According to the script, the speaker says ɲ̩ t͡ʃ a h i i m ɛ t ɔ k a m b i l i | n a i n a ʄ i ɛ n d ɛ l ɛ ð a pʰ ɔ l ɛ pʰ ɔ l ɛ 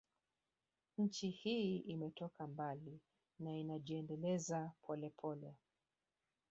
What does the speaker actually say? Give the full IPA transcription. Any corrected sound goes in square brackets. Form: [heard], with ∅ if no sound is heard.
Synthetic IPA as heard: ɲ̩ t͡ʃ [i] h i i m ɛ t ɔ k a m b [a] l i | n a i n a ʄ i ɛ n d ɛ l ɛ [z] a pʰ ɔ l ɛ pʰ ɔ l ɛ